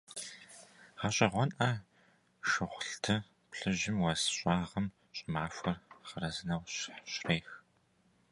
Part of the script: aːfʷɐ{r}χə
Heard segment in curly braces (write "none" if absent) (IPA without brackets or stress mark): r